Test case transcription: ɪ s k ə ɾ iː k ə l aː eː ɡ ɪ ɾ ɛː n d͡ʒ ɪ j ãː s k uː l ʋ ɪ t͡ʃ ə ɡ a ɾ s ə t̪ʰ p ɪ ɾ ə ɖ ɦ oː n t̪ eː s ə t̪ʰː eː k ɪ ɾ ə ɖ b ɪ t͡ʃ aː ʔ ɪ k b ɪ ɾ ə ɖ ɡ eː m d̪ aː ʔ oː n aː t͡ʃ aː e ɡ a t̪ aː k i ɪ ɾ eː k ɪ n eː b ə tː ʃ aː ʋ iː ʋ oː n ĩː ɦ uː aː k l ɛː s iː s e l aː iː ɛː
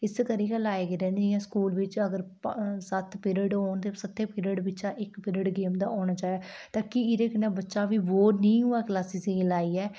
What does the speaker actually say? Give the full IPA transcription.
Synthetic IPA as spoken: ɪ s k ə ɾ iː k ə l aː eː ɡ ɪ ɾ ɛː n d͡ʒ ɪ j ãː s k uː l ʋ ɪ t͡ʃ ə ɡ ə ɾ s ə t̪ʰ p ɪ ɾ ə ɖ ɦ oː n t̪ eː s ə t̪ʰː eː p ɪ ɾ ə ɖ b ɪ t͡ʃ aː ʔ ɪ k p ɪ ɾ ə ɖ ɡ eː m d̪ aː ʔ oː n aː t͡ʃ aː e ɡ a t̪ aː k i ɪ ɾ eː k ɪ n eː b ə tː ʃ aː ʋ iː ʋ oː n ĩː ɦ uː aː k l aː s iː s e l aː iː ɛː